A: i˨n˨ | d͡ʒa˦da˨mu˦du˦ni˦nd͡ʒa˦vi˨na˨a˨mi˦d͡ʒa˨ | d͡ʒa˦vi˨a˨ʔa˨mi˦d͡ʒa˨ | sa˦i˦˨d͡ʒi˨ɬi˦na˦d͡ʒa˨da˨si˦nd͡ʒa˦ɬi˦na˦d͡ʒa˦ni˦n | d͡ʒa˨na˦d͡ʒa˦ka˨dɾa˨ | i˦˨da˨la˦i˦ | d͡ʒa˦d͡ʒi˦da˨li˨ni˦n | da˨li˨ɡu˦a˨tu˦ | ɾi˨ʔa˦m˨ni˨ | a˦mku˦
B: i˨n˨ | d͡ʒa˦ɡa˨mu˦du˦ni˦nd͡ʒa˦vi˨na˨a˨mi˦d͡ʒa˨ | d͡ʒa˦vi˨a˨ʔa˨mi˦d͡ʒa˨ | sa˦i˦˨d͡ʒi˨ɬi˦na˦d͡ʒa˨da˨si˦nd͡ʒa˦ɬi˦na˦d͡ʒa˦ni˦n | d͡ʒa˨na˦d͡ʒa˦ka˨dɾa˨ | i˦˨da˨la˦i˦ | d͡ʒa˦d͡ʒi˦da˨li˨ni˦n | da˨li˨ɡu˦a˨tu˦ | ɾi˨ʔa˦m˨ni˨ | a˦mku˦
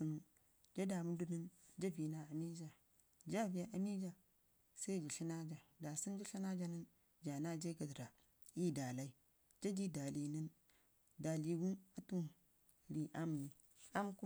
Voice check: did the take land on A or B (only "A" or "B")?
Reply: A